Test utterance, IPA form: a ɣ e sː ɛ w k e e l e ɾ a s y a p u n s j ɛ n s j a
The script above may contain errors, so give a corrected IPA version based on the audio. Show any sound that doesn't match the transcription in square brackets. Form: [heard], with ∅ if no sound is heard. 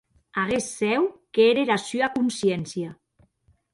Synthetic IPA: a ɣ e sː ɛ w k e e [ɾ] e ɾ a s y a [k] u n s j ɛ n s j a